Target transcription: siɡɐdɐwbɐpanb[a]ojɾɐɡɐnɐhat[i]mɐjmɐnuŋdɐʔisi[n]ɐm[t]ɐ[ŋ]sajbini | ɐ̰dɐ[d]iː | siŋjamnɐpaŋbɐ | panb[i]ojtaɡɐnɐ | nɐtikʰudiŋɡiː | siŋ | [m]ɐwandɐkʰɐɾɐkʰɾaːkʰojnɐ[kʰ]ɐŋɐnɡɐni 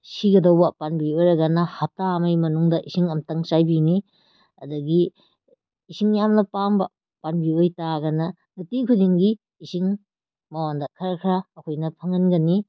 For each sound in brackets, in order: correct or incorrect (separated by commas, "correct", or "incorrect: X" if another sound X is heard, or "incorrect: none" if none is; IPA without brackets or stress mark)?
incorrect: i, incorrect: a, incorrect: ŋ, correct, correct, incorrect: ɡ, correct, correct, incorrect: pʰ